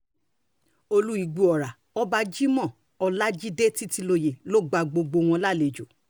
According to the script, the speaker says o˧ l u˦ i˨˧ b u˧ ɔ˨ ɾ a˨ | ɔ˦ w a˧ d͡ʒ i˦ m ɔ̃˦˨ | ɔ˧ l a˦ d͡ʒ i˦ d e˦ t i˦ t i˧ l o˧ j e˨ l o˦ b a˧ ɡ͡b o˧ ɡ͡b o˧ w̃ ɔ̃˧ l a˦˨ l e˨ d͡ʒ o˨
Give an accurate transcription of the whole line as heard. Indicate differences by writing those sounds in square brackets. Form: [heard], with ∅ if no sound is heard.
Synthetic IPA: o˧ l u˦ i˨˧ [ɡ͡b] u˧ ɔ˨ ɾ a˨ | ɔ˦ [b] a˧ d͡ʒ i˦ m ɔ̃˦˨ | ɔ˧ l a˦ d͡ʒ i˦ d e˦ t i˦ t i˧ l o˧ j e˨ l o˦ [ɡ͡b] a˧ ɡ͡b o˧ ɡ͡b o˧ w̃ ɔ̃˧ l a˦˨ l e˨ d͡ʒ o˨